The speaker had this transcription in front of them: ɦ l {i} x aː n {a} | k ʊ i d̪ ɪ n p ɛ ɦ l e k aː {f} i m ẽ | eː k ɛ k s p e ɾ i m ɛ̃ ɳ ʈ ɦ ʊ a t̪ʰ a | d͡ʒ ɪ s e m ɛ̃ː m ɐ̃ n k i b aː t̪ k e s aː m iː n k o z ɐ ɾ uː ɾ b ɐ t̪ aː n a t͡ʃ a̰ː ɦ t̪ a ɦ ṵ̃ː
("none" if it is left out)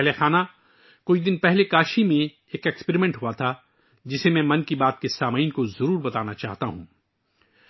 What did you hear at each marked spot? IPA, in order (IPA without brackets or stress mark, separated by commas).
e, a, ʃ